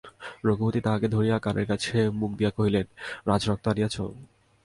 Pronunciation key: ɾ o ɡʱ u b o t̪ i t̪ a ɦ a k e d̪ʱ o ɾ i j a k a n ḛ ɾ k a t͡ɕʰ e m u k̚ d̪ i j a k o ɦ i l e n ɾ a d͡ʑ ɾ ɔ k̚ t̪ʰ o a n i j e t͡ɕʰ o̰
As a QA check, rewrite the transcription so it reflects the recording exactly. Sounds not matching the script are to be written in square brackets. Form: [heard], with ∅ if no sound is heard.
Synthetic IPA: ɾ o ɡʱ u b o t̪ i t̪ a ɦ a k e d̪ʱ o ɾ i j a k a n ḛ ɾ k a t͡ɕʰ e m u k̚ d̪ i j a k o ɦ i l e n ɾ a d͡ʑ ɾ ɔ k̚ [t̪] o a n i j [a] t͡ɕʰ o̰